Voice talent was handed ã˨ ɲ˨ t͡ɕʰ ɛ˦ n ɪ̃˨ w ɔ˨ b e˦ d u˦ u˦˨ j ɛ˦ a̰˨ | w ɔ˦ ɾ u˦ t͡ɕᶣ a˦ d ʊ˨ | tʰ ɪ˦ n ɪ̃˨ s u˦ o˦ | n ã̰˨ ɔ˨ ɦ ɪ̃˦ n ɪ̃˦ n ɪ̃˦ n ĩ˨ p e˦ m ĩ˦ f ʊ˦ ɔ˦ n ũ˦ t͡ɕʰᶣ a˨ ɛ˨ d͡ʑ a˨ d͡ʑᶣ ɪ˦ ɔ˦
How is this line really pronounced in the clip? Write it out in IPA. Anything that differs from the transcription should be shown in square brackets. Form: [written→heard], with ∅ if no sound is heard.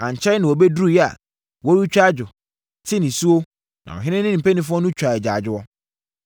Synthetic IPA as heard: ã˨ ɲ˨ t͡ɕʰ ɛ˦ n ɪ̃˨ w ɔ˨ b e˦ d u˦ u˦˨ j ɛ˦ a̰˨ | w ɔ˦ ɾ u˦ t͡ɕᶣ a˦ [d→d͡ʑ] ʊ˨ | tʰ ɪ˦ n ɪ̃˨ s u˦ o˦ | n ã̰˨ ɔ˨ ɦ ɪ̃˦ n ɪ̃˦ n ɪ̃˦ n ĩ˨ p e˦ [m→n] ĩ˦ f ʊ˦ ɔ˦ n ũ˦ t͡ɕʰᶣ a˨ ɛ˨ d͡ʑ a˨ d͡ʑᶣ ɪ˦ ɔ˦